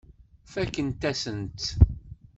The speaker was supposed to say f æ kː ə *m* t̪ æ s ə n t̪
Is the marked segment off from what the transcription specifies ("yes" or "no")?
yes